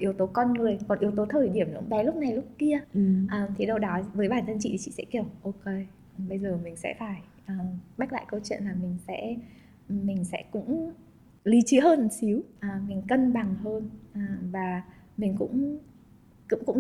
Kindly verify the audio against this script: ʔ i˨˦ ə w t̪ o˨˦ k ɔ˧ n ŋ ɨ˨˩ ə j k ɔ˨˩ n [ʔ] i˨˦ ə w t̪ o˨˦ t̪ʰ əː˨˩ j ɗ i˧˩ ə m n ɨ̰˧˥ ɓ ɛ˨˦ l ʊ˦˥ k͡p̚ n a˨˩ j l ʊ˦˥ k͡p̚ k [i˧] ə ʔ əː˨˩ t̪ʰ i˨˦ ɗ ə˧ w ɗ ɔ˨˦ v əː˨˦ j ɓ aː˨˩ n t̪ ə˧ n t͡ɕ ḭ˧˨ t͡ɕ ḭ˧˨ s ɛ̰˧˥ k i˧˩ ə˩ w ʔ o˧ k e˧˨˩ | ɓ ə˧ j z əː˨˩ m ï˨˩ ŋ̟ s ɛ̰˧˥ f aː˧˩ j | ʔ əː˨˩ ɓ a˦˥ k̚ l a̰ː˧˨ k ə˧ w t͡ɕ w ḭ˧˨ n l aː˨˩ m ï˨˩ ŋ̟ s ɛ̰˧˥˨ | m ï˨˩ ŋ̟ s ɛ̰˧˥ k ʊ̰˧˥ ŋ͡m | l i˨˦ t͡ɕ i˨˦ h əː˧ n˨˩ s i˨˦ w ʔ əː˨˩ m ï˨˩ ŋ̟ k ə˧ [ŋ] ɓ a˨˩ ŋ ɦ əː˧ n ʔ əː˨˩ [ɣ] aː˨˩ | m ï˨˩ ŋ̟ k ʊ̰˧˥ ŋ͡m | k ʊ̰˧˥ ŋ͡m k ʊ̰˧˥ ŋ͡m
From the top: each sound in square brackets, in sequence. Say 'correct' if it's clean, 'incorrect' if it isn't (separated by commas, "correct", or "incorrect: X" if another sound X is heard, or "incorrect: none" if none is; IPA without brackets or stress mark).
correct, correct, incorrect: n, incorrect: v